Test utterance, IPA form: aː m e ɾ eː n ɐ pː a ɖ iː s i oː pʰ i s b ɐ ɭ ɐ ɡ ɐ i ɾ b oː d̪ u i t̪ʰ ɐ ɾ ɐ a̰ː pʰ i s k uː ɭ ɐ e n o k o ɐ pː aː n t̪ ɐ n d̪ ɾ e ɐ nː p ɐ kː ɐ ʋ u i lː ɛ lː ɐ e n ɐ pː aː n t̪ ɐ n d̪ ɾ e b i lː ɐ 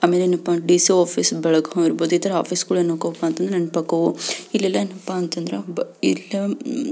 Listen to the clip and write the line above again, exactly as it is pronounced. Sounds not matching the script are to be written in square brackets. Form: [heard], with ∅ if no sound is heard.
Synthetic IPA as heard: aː m e [l] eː n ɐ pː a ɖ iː s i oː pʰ i s b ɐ ɭ ɐ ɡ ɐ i ɾ b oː d̪ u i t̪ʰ ɐ ɾ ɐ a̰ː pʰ i s k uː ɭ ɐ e n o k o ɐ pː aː n t̪ ɐ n d̪ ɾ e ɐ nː p ɐ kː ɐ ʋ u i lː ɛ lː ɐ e n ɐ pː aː n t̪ ɐ n d̪ ɾ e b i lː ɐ